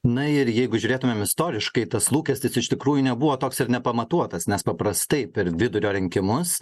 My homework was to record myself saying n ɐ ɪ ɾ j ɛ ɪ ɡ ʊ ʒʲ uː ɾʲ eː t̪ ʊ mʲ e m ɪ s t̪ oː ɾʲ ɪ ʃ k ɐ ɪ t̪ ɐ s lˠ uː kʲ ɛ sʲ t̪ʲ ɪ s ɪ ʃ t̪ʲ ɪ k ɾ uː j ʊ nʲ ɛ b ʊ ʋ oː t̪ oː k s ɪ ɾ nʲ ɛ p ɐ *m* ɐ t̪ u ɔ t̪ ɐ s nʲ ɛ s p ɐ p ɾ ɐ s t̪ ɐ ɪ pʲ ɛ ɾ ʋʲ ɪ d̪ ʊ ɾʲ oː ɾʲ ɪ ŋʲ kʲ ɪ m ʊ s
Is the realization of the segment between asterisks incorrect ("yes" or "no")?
no